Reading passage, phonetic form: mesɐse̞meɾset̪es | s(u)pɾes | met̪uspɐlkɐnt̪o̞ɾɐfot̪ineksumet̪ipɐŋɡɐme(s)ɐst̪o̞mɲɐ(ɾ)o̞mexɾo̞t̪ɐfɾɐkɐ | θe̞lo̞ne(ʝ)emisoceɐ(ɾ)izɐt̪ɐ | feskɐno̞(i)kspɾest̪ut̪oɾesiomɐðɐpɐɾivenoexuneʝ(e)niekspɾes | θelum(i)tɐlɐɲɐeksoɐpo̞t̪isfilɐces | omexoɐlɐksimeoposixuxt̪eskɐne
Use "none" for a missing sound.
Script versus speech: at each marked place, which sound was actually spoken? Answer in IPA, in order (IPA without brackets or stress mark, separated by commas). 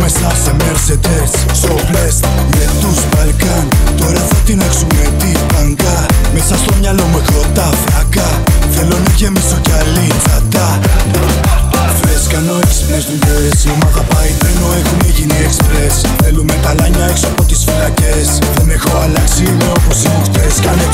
o, s, l, ʝ, l, e, i, e